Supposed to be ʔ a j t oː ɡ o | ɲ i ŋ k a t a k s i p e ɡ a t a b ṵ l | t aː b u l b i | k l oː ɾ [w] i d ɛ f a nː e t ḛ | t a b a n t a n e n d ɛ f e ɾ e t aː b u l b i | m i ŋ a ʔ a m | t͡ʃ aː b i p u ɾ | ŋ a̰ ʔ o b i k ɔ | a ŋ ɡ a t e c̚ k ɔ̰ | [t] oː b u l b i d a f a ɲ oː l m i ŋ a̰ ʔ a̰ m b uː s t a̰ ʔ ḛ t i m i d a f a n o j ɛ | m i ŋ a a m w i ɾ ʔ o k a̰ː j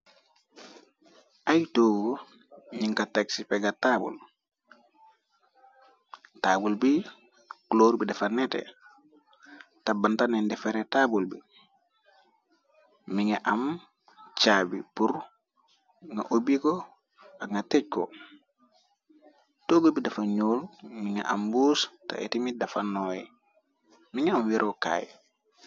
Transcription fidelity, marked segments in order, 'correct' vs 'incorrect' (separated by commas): incorrect, correct